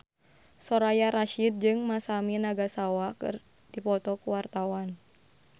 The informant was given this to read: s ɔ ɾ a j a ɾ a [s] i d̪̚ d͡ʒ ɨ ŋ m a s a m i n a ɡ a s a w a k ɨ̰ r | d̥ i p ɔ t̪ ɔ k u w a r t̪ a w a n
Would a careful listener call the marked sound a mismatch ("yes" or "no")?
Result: yes